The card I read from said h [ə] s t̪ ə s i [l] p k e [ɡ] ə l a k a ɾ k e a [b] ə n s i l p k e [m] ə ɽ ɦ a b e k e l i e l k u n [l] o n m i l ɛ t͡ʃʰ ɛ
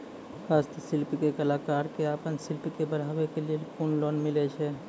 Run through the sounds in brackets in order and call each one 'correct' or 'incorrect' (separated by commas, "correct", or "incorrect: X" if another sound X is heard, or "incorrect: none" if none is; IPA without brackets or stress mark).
incorrect: a, correct, incorrect: k, incorrect: p, incorrect: b, correct